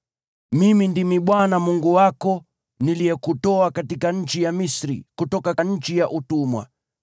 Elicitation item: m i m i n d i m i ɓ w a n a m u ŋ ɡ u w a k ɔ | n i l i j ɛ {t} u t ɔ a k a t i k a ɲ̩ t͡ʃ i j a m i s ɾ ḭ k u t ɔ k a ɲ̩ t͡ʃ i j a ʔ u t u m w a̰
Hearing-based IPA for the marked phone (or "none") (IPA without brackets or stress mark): k